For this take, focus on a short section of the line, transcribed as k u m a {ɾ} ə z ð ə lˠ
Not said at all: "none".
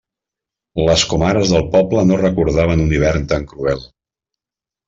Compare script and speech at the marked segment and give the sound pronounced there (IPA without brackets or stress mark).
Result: ɾ